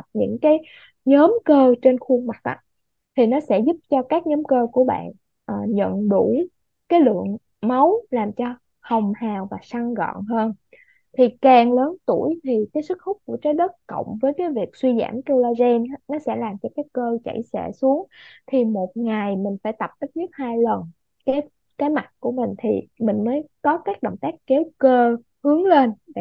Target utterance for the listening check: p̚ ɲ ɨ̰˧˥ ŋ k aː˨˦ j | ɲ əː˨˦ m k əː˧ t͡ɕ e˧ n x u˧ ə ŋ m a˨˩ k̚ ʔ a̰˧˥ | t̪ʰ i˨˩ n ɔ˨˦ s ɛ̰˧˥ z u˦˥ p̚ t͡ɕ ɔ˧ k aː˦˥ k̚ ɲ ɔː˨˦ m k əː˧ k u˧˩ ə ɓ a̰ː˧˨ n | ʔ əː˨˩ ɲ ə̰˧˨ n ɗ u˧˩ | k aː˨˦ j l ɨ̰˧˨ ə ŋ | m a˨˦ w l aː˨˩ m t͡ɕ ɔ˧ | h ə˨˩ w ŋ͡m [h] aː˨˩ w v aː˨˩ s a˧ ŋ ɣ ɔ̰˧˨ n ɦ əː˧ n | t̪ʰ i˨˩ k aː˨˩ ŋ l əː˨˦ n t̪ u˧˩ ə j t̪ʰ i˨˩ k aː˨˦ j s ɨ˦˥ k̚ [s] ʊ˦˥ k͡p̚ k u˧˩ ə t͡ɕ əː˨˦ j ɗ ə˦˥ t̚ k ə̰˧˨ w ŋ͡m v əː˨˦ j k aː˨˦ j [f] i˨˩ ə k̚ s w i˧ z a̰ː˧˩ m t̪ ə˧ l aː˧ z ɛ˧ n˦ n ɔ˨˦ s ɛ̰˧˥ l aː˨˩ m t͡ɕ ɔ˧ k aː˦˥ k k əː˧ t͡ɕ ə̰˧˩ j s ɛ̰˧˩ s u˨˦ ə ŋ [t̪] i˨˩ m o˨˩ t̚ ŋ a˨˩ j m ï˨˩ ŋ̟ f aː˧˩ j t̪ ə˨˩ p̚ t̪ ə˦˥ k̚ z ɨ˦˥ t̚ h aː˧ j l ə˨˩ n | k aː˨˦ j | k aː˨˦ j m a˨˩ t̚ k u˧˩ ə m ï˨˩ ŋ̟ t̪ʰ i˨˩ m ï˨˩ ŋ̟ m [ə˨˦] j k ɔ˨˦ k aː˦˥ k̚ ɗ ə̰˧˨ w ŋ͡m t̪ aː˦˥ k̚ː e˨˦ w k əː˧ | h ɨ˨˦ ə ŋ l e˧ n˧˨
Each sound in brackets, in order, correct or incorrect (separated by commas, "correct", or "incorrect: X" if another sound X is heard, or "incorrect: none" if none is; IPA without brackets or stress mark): correct, incorrect: x, incorrect: v, incorrect: t̪ʰ, incorrect: əː˨˦